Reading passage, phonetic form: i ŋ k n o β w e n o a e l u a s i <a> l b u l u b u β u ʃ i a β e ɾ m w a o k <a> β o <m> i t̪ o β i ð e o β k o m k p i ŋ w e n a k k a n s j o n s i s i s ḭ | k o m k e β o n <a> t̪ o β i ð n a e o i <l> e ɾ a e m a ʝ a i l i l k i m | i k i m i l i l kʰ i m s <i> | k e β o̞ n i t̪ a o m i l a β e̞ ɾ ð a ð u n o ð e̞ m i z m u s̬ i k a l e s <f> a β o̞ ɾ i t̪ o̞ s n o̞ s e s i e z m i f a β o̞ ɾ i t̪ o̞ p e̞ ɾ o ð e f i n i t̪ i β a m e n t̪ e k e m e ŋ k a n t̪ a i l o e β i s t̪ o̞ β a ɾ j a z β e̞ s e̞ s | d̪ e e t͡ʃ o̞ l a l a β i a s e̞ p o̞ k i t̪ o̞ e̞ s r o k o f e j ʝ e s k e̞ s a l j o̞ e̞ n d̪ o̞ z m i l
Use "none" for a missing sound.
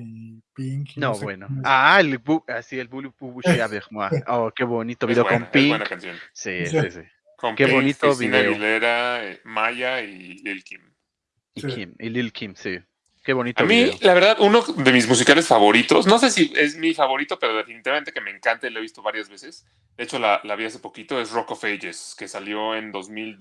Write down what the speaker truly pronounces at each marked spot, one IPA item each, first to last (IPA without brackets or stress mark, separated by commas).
e, e, n, i, l, i, f